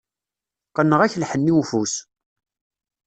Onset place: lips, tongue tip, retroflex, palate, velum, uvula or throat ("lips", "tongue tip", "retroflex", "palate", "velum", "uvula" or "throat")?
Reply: uvula